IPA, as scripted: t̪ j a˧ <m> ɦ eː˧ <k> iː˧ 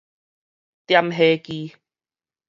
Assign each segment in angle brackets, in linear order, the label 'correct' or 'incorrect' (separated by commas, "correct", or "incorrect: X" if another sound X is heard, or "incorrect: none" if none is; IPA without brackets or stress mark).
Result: correct, correct